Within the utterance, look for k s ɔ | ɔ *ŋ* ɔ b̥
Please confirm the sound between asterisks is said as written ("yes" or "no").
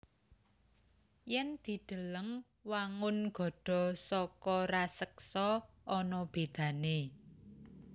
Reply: no